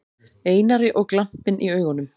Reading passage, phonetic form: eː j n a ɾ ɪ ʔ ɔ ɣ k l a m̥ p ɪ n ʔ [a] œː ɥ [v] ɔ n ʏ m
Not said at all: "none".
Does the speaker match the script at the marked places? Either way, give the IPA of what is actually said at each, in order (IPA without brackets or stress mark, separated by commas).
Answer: i, ɣ